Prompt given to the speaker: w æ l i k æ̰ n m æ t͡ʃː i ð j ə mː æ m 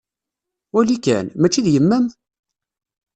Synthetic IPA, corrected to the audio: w æ l i k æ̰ n m æ t͡ʃː i ð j ə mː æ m